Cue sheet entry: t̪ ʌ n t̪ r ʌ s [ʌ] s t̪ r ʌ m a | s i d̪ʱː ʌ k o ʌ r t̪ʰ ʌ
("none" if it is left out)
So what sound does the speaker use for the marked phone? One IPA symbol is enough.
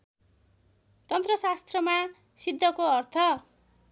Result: a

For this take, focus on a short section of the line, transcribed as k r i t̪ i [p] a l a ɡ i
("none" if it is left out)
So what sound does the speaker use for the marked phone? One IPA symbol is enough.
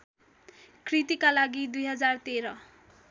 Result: k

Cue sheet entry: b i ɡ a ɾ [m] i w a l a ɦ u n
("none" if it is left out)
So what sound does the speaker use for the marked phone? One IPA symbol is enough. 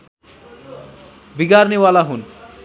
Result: n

